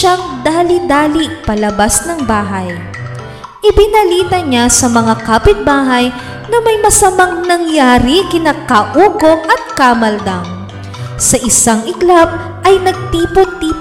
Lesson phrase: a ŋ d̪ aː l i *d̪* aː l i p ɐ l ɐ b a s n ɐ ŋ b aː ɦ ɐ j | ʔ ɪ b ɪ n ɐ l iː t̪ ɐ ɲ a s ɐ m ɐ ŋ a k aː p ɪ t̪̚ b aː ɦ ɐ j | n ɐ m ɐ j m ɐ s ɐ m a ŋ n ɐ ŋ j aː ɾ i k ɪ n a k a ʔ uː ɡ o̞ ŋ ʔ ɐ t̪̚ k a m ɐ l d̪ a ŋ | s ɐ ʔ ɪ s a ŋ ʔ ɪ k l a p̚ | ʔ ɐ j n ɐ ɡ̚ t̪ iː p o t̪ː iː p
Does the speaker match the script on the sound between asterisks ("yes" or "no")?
yes